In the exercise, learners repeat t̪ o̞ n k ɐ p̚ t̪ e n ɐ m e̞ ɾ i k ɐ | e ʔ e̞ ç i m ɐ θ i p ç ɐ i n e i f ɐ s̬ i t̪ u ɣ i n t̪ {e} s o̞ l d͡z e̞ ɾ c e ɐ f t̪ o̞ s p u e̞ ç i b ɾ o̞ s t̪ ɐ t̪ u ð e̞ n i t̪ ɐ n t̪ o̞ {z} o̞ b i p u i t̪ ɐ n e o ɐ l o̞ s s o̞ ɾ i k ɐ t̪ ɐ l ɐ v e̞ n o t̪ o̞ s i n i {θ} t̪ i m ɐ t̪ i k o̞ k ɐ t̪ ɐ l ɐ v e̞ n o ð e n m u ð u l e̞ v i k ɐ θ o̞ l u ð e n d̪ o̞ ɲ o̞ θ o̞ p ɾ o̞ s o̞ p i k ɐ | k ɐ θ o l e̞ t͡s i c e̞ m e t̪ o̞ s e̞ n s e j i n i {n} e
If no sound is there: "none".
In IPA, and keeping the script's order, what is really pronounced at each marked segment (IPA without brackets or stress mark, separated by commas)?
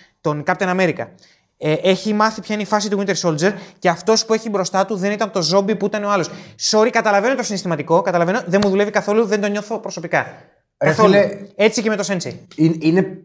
e, z, s, n